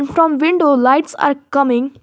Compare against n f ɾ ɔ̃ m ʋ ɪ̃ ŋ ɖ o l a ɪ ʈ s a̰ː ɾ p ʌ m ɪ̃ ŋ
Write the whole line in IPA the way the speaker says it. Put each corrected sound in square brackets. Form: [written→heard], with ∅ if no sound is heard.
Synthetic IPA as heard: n f ɾ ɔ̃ m ʋ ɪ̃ [ŋ→ɳ] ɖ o l a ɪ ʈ s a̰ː ɾ [p→k] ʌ m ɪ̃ ŋ